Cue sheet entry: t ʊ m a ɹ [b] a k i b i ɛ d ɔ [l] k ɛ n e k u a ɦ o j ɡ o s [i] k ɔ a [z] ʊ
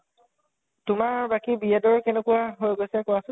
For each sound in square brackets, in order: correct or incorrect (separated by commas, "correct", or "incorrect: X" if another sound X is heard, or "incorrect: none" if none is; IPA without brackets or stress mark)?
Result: correct, incorrect: ɹ, incorrect: ɛ, incorrect: s